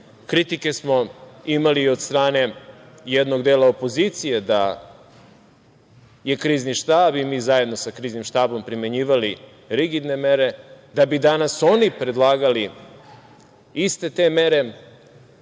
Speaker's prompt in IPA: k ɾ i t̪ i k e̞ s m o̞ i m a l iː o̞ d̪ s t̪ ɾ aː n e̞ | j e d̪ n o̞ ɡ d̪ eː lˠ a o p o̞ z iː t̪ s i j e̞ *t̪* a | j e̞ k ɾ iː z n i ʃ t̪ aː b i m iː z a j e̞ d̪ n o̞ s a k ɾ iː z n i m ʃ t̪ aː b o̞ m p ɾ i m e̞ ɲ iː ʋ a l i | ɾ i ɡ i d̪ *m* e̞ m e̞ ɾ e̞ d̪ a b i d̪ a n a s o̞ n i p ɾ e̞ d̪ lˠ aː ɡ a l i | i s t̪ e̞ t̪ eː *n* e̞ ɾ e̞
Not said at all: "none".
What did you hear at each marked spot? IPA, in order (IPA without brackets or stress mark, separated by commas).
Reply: d̪, n, m